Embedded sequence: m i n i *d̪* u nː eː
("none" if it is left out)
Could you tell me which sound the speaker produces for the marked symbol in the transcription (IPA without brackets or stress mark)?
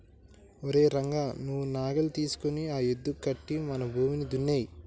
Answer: d̪